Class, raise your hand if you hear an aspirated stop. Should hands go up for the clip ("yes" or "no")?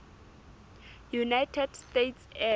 yes